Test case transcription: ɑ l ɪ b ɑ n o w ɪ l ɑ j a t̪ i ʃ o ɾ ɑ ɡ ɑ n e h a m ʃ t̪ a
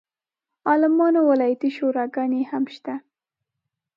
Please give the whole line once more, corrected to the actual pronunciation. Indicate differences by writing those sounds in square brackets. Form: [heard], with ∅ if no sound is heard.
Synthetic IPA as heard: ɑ l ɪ [m] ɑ n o w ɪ l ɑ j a t̪ i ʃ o ɾ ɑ ɡ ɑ n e h a m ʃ t̪ a